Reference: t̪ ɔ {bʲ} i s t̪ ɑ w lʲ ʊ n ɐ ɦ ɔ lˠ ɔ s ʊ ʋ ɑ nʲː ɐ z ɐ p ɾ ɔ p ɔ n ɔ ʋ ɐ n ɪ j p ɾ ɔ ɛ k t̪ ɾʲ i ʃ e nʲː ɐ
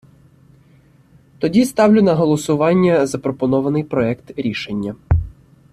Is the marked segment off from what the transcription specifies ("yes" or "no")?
yes